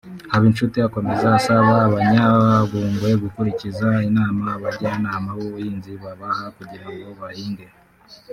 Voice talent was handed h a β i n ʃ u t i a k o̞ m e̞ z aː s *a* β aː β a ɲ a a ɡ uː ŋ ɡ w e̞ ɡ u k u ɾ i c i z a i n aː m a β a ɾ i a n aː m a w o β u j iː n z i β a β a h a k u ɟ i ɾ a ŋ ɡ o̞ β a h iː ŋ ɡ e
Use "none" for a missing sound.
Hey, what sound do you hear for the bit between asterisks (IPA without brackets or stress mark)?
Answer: a